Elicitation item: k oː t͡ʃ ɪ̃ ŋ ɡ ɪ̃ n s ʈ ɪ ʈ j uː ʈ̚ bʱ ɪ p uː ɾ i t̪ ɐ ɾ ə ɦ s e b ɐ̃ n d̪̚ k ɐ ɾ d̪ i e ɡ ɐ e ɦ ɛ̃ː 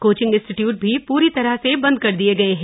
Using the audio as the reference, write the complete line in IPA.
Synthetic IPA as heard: k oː t͡ʃ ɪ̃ ŋ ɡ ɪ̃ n s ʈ ɪ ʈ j uː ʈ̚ bʱ i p uː ɾ i t̪ ɐ ɾ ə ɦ s e b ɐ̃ n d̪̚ k ɐ ɾ d̪ i e ɡ ɐ e ɦ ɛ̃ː